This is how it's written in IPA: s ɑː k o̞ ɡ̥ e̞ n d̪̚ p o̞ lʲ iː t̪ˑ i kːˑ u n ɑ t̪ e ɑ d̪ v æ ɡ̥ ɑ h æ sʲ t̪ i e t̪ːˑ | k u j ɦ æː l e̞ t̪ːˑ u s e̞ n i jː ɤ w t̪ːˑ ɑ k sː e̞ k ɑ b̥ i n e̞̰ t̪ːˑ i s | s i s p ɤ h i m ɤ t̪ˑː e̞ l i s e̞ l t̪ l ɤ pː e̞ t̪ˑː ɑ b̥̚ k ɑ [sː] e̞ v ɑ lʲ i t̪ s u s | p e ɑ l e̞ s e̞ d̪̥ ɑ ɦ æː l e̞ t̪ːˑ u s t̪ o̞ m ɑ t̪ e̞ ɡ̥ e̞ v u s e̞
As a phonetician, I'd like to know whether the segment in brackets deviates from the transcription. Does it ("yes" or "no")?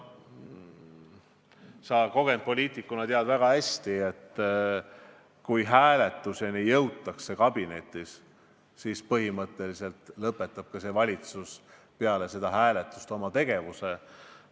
yes